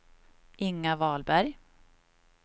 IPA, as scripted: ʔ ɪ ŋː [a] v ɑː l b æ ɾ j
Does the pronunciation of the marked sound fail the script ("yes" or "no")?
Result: no